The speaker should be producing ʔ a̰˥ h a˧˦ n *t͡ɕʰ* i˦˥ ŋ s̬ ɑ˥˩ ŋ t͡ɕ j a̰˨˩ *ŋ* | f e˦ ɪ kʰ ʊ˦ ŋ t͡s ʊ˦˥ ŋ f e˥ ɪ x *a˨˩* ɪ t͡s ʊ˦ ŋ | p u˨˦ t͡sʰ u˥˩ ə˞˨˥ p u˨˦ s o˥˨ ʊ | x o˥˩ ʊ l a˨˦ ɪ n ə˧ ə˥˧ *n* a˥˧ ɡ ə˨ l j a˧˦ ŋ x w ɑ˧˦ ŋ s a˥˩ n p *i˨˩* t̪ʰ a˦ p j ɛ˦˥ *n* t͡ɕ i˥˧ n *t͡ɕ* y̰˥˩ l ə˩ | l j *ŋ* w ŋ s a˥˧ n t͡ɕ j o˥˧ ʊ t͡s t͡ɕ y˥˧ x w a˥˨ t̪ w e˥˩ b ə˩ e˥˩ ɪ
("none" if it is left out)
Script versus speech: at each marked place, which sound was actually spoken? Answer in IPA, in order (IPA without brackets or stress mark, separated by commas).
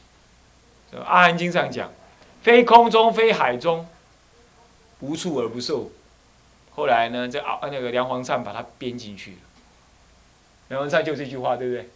t͡ɕ, ŋ, a˨˩, n, a˨˩, n, t͡ɕʰ, ŋ